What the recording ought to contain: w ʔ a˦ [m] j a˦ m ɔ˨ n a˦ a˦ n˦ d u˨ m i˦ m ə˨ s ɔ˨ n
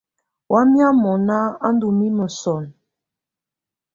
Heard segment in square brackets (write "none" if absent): m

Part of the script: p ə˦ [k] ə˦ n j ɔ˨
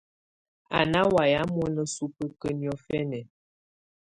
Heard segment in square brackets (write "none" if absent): k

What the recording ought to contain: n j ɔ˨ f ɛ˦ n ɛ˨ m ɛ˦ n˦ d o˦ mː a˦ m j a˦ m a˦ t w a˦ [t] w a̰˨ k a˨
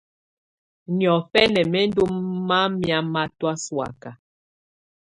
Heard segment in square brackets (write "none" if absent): s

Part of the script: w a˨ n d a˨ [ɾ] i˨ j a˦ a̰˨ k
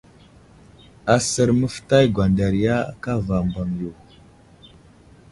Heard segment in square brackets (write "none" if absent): ɾ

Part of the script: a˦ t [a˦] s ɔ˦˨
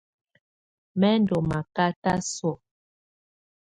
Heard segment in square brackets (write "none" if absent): a˦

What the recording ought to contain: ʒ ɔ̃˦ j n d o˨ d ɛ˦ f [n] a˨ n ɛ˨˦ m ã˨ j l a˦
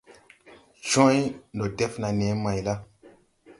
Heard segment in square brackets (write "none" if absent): n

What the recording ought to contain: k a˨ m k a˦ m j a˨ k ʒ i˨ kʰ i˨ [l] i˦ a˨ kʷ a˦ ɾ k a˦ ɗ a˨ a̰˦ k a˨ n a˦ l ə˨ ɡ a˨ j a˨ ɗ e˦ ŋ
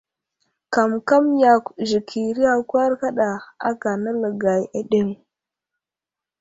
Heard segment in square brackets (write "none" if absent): ɾ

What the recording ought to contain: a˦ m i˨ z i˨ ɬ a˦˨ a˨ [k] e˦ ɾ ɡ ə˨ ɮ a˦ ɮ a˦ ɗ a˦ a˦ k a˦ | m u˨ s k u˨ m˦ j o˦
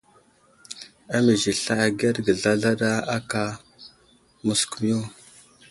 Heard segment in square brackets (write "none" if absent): ɡ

